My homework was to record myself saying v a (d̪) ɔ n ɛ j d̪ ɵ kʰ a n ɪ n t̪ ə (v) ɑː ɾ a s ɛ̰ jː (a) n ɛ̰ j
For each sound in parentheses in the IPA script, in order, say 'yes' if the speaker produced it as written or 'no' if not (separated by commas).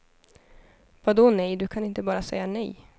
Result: yes, no, yes